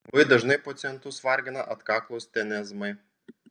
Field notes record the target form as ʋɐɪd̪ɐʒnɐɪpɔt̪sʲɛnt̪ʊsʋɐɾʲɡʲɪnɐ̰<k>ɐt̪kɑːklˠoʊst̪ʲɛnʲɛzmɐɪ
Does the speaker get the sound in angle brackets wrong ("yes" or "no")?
yes